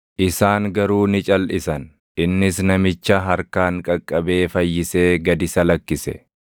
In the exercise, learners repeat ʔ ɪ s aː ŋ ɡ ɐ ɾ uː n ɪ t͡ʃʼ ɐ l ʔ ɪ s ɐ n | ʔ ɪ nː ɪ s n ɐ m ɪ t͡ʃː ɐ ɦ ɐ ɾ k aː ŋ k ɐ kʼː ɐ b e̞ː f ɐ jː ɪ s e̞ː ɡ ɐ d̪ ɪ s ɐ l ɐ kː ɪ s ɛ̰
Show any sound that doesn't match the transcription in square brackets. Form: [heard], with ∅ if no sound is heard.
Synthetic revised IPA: ʔ ɪ s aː ŋ ɡ ɐ ɾ uː n ɪ t͡ʃʼ ɐ l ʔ ɪ s ɐ n | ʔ ɪ nː ɪ s n ɐ m ɪ t͡ʃː ɐ ɦ ɐ ɾ k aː ŋ [kʼ] ɐ kʼː ɐ b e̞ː f ɐ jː ɪ s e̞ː ɡ ɐ d̪ ɪ s ɐ l ɐ kː ɪ s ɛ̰